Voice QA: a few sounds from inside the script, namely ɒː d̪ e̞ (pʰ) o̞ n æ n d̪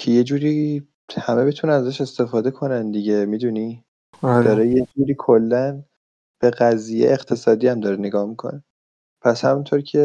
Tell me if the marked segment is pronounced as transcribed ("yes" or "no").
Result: no